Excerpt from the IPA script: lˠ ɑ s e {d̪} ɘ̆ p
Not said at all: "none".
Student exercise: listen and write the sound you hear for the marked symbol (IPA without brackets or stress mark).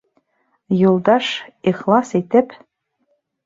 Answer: t̪